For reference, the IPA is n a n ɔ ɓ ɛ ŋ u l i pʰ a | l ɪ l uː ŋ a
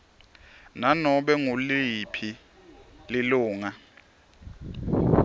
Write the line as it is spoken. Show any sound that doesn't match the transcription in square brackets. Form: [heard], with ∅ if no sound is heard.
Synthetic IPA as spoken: n a n ɔ ɓ ɛ ŋ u l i pʰ [i] | l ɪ l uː ŋ a